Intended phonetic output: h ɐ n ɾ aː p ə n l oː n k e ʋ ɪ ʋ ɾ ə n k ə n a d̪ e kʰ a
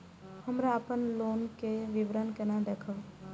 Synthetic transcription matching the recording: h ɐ m ɾ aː p ə n l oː n k e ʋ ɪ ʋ ɾ ə n k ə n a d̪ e kʰ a